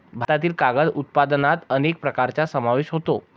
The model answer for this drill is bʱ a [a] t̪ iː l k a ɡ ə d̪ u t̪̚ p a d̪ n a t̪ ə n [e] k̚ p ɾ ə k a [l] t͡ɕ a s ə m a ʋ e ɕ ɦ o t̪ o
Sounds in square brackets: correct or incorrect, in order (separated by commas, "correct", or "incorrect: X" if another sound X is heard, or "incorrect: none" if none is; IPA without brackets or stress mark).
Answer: correct, correct, incorrect: ɾ